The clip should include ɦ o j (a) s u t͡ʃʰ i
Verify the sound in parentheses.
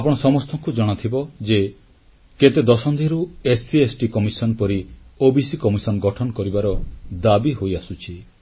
correct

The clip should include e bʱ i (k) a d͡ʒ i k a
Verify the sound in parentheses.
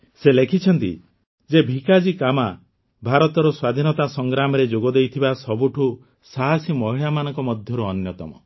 correct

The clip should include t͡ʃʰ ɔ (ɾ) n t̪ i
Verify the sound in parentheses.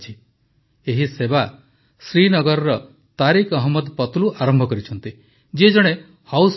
incorrect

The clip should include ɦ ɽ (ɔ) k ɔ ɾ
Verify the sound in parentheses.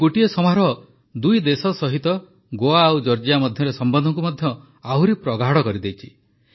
correct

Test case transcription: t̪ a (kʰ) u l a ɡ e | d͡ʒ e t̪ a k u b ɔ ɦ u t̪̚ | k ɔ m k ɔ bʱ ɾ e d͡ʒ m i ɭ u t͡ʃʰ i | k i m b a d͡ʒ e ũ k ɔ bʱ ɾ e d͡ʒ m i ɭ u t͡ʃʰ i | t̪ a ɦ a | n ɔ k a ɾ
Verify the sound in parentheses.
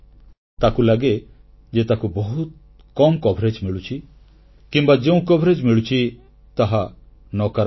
incorrect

